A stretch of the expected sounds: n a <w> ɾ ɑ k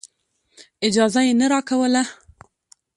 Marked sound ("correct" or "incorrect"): incorrect